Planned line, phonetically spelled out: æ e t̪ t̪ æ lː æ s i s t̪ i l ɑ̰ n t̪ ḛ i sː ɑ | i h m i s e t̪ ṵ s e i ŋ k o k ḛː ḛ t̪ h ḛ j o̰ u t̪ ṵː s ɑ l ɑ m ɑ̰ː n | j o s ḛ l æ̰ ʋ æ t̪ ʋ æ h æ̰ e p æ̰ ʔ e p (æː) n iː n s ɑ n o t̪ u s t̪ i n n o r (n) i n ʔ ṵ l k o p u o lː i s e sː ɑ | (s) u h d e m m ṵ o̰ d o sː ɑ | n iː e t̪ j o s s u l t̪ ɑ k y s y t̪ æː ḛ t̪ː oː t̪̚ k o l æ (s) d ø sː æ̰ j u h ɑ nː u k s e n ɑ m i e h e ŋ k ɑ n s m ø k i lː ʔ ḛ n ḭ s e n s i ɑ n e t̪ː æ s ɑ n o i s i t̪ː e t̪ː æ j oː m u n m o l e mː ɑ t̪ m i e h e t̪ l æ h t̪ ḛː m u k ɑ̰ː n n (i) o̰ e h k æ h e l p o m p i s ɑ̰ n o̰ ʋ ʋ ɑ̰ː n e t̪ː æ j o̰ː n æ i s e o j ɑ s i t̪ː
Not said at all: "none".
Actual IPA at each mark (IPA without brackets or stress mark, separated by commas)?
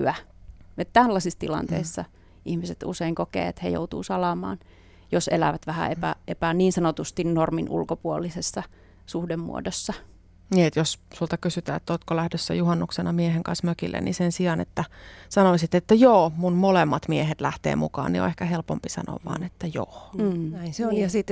æ, m, s, h, i